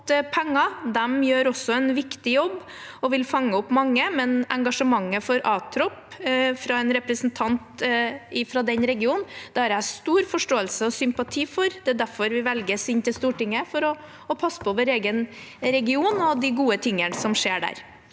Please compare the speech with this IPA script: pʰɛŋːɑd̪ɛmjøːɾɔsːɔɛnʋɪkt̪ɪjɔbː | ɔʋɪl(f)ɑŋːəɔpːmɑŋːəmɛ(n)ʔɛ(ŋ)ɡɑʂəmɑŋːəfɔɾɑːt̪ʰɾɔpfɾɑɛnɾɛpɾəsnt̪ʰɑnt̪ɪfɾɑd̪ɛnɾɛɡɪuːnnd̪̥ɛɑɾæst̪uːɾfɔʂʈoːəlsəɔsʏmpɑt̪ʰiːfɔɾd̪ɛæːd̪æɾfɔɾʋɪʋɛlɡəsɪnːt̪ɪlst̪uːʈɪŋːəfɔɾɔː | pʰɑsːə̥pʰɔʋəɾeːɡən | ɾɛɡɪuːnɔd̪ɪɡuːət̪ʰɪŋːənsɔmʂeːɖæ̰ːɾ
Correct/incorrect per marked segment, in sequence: correct, correct, correct

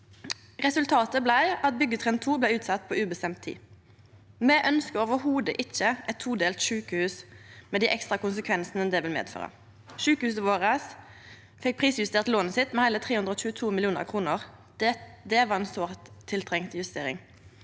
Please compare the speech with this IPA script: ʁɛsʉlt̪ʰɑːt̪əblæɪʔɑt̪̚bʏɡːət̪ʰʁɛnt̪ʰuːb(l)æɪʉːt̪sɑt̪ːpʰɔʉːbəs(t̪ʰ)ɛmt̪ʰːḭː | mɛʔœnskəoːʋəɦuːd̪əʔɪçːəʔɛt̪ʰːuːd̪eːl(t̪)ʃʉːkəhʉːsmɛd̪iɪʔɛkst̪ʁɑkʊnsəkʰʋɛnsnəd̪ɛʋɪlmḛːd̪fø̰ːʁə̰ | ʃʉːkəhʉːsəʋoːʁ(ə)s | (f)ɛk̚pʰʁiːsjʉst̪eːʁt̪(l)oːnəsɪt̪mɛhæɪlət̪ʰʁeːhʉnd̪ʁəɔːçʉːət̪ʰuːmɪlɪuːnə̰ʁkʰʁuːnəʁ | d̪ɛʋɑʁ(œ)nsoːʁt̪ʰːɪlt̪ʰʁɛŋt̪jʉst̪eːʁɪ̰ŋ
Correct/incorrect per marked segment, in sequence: correct, incorrect, correct, correct, correct, correct, incorrect

